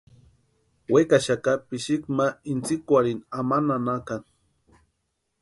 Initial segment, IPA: w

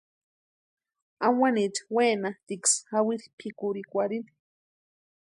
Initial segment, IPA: a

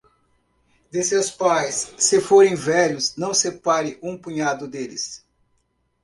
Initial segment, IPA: d̪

